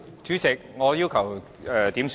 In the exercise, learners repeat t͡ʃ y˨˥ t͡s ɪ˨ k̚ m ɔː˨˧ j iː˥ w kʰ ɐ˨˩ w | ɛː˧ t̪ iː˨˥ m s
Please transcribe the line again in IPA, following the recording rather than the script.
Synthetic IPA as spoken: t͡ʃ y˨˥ t͡s ɪ˨ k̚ ŋ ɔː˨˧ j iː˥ w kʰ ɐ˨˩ w | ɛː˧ t̪ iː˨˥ m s